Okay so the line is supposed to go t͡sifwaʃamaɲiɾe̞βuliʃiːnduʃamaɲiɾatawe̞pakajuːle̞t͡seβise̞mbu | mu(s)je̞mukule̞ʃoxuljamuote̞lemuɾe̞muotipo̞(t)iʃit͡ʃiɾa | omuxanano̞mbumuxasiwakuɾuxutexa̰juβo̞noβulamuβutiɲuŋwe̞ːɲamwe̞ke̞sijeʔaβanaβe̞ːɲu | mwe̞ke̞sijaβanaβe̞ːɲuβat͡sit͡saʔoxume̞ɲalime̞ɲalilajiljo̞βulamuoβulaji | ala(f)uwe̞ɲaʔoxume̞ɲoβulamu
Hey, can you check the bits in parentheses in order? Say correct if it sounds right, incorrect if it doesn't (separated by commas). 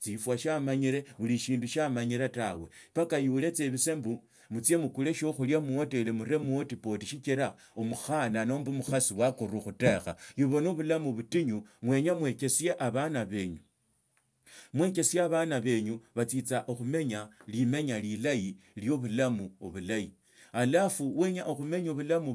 incorrect, correct, correct